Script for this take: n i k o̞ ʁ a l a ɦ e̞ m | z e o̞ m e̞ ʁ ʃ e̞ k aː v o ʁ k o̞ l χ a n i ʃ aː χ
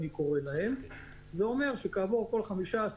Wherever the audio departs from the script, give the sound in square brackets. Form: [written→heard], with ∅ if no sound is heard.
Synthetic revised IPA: n i k o̞ ʁ [a→e] l a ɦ e̞ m | z e o̞ m e̞ ʁ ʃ e̞ k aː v o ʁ k o̞ l χ a [n→m] i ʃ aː [χ→s]